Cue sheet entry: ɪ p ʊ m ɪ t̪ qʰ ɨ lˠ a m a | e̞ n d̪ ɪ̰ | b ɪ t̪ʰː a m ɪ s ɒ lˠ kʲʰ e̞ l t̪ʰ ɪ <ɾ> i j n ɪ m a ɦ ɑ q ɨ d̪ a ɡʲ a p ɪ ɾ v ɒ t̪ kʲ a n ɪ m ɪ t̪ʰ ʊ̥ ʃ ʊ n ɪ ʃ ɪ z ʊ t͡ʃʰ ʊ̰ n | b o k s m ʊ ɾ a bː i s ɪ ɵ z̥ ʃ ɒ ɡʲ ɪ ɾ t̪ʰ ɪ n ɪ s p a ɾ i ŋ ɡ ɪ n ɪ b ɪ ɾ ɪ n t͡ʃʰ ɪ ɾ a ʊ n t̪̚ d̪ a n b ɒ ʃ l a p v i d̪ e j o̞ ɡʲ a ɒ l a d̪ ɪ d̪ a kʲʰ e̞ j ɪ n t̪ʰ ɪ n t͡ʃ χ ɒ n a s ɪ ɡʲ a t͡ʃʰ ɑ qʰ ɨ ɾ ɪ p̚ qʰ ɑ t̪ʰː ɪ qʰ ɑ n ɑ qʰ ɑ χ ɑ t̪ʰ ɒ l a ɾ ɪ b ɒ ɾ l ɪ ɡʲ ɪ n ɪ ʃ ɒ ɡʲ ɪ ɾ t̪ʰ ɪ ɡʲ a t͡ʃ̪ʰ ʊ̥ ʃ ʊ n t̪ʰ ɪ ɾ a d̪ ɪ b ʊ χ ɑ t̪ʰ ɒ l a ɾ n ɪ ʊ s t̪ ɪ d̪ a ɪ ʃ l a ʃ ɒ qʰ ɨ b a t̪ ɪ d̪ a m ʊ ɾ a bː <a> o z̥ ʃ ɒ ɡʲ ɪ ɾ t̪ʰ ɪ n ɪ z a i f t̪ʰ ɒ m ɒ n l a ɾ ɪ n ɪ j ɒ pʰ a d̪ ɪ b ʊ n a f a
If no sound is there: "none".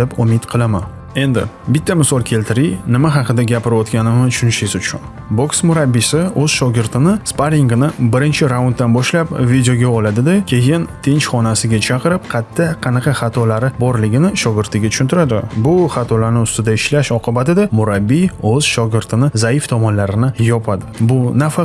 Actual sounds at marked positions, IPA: ɾ, i

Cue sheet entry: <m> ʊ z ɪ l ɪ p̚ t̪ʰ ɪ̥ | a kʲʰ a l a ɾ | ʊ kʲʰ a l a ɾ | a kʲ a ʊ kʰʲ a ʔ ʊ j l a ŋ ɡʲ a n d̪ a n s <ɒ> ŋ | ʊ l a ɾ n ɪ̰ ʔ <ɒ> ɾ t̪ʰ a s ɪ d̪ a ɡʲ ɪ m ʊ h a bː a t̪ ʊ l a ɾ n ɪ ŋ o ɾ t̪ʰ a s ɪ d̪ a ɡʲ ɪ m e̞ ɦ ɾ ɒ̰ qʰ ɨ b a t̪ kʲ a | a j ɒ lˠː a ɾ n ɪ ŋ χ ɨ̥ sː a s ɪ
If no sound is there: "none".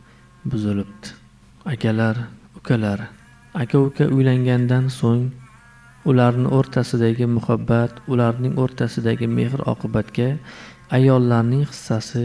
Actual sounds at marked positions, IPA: b, o, o

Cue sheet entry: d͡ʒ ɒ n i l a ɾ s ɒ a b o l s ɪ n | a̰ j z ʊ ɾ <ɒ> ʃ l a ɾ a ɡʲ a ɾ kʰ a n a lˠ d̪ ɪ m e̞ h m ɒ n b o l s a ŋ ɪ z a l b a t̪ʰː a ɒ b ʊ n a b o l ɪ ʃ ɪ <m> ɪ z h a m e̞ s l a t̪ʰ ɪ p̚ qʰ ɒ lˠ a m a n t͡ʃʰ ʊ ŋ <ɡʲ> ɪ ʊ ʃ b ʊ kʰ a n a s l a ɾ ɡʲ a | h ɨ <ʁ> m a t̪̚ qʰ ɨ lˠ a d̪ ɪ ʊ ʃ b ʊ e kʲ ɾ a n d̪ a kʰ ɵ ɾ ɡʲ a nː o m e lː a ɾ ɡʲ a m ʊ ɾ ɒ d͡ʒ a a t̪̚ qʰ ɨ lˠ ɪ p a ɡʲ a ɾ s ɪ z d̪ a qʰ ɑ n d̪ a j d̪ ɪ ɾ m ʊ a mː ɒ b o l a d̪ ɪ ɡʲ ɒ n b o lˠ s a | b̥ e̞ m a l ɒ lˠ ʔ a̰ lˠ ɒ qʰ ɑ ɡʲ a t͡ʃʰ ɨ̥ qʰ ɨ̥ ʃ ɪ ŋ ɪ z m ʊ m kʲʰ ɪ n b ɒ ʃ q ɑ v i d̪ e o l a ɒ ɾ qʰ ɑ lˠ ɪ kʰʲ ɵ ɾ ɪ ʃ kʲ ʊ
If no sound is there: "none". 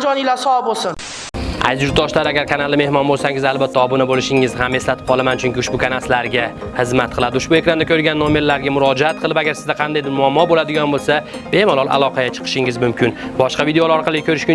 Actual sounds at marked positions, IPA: ɒ, ŋ, kʲ, z

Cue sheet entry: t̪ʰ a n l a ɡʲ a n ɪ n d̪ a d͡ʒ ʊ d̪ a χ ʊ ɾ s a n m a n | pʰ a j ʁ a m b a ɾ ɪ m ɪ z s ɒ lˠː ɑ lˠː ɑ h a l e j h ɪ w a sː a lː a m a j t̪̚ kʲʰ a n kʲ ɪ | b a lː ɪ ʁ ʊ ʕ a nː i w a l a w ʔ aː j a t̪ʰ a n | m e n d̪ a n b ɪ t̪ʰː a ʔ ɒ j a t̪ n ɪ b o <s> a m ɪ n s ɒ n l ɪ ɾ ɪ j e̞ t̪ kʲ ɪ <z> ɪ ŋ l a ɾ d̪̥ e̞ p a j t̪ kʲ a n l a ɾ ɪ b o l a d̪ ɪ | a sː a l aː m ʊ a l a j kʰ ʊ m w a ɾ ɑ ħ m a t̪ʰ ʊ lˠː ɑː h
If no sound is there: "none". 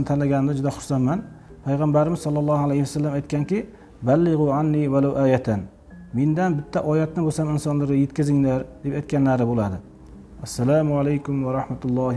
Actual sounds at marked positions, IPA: s, z

